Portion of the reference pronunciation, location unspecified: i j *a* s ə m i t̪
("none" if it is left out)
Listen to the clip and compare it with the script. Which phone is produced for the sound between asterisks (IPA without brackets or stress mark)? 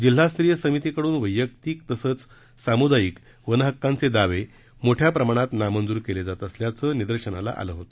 ə